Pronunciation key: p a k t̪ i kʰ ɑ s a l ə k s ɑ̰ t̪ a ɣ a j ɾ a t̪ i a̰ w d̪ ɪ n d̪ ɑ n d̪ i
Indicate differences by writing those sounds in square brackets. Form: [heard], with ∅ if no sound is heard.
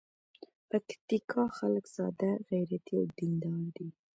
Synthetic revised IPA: p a k t̪ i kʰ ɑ [x] a l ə k s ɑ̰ [d̪] a ɣ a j ɾ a t̪ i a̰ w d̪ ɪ n d̪ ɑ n d̪ i